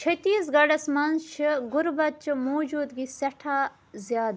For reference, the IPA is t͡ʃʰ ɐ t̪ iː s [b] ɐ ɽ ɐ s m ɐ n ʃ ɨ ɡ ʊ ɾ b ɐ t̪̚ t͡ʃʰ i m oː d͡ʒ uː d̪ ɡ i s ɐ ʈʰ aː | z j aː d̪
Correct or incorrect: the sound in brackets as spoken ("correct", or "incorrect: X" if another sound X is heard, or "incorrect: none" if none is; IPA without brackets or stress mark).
incorrect: ɡ